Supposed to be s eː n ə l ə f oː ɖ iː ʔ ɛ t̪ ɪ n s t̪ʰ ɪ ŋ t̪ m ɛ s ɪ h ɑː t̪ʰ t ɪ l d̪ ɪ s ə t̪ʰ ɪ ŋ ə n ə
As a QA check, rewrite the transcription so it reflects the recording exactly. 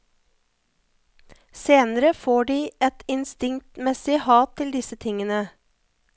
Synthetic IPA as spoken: s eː n ə ɾ ə f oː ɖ iː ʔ ɛ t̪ ɪ n s t̪ ɪ ŋ t̪ m ɛ s ɪ h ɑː t̪ʰ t ɪ l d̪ ɪ s ə t̪ʰ ɪ ŋ ə n ə